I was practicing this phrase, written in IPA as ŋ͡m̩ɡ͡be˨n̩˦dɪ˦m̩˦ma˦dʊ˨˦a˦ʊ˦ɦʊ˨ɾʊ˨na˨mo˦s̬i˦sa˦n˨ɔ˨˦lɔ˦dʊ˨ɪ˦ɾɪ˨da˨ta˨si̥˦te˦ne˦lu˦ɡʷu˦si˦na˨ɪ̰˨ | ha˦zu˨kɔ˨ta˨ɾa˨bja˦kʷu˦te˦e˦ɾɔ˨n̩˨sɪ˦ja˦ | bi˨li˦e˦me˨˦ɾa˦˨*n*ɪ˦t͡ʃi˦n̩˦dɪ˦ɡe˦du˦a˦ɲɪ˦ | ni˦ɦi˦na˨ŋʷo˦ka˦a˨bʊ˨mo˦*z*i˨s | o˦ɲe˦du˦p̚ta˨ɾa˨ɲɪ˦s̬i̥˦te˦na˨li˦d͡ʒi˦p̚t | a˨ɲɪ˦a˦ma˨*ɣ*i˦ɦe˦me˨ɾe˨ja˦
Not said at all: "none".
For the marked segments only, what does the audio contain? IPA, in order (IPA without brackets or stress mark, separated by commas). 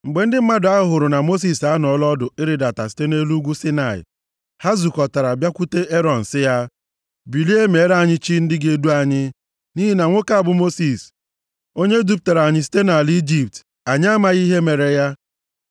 ɲ, s, ɣ